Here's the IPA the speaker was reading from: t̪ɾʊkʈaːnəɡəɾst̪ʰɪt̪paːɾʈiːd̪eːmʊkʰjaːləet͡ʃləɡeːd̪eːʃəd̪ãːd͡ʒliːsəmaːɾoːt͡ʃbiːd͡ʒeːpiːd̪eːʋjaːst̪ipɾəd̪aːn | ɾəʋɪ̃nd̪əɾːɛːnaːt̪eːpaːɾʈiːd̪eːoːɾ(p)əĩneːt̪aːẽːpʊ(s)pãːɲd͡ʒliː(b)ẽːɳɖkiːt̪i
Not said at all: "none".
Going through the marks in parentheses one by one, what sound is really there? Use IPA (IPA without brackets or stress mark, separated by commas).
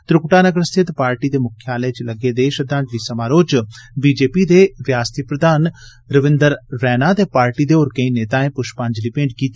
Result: k, ʃ, p